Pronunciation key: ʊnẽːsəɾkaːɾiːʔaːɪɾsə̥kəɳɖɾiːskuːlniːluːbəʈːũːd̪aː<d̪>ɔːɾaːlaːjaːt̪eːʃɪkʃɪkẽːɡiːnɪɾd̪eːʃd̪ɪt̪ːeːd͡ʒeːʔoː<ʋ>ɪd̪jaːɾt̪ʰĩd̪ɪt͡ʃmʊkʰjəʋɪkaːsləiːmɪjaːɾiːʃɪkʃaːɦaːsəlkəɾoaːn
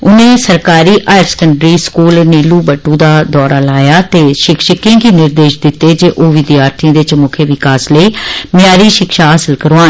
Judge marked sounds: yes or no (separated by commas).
yes, yes